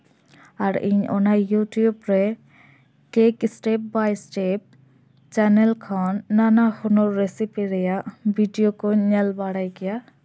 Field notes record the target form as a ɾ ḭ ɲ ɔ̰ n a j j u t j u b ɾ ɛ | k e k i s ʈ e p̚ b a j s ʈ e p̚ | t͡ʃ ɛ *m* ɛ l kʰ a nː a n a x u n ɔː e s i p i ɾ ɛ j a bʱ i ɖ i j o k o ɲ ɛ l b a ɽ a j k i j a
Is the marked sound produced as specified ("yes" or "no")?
no